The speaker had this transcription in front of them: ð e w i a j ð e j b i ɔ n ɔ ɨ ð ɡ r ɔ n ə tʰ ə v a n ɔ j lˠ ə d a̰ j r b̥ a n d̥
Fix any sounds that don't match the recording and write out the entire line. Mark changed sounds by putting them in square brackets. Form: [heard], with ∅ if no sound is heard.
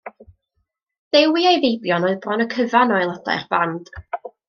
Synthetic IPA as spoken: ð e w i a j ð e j b [j] ɔ n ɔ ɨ ð [b] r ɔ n ə [kʰ] ə v a n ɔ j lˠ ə d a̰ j r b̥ a n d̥